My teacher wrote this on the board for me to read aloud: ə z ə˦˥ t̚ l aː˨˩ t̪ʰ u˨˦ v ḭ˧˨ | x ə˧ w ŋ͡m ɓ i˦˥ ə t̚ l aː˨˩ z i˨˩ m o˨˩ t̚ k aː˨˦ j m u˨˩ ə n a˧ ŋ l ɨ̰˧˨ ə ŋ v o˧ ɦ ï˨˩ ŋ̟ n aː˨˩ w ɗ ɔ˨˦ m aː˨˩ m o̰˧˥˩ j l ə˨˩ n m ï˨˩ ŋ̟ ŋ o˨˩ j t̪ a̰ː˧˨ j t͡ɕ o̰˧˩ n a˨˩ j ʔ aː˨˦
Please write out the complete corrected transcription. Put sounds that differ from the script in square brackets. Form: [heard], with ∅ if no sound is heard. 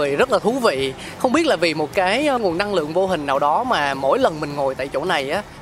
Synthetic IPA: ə z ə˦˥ t̚ l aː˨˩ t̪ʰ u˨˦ v ḭ˧˨ | x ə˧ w ŋ͡m ɓ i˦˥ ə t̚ l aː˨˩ [v] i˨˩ m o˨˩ t̚ k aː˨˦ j [ŋ] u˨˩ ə n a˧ ŋ l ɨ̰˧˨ ə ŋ v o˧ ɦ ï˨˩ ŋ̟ n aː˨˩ w ɗ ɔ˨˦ m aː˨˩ m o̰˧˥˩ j l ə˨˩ n m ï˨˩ ŋ̟ ŋ o˨˩ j t̪ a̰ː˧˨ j t͡ɕ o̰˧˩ n a˨˩ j ʔ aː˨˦